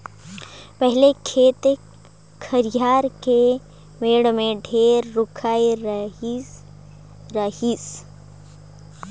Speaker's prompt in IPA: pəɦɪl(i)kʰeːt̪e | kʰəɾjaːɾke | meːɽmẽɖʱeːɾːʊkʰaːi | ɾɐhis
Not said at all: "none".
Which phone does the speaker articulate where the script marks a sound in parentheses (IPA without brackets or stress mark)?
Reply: e